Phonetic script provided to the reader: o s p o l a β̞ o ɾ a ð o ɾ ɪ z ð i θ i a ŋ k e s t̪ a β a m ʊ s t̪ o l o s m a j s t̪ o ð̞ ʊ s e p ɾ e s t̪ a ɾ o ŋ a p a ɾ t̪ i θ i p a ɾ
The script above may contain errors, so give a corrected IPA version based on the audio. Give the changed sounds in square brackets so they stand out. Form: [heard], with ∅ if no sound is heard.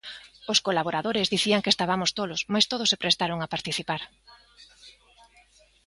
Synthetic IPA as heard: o s [k] o l a β̞ o ɾ a ð o ɾ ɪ z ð i θ i a ŋ k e s t̪ a β a m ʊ s t̪ o l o s m a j s t̪ o ð̞ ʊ s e p ɾ e s t̪ a ɾ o ŋ a p a ɾ t̪ i θ i p a ɾ